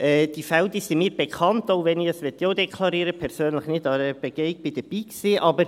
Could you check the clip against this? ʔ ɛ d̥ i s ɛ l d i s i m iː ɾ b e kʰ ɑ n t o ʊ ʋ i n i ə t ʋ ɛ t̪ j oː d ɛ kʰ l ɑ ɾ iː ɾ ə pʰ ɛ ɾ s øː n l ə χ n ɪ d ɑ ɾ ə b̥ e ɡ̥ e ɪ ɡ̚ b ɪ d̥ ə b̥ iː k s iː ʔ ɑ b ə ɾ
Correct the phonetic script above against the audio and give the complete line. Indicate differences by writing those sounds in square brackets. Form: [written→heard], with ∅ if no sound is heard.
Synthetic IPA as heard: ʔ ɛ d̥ i [s→f] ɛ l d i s i m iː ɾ b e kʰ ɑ n t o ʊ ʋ [i→ɛ] n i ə [t→s] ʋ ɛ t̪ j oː d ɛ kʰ l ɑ ɾ iː ɾ ə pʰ ɛ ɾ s øː n l ə χ n ɪ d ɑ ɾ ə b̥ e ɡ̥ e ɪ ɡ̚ b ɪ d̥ ə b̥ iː k s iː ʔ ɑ b ə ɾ